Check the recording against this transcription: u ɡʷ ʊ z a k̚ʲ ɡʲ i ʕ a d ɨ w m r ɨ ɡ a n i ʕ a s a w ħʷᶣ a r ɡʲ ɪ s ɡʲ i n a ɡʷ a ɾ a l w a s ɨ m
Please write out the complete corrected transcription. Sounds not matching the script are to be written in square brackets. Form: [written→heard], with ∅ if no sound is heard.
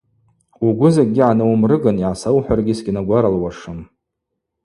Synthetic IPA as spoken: u ɡʷ ʊ z a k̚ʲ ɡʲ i ʕ a [d→n] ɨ w m r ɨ ɡ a n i ʕ a s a w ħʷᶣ a r ɡʲ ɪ s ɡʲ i n a ɡʷ a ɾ a l w a [s→ʂ] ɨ m